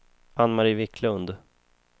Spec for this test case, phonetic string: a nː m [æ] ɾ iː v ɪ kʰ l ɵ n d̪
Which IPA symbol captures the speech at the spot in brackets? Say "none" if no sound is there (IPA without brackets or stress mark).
a